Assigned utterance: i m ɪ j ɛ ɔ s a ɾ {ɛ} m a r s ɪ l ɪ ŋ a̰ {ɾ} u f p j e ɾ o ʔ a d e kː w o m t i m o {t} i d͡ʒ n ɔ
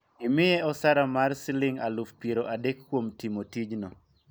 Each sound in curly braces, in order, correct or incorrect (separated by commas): incorrect, incorrect, correct